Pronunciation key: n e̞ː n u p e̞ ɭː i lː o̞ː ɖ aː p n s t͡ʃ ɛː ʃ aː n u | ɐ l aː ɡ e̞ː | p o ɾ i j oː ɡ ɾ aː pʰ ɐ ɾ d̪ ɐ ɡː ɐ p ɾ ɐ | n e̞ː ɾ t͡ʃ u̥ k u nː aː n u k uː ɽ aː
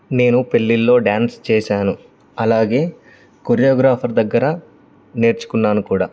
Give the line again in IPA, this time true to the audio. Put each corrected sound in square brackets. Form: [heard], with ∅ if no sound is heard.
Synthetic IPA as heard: n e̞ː n u p e̞ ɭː i lː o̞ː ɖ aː [∅] n s t͡ʃ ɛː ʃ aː n u | ɐ l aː ɡ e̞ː | [k] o ɾ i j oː ɡ ɾ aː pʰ ɐ ɾ d̪ ɐ ɡː ɐ [∅] ɾ ɐ | n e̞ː ɾ t͡ʃ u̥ k u nː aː n u k uː ɽ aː